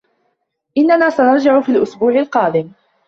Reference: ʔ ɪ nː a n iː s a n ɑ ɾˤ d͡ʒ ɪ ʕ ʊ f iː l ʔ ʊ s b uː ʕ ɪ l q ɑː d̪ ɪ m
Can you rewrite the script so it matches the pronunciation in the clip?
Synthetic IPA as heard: ʔ ɪ nː a n aː s a n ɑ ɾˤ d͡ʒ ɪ ʕ ʊ f iː l ʔ ʊ s b uː ʕ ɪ l q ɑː d̪ ɪ m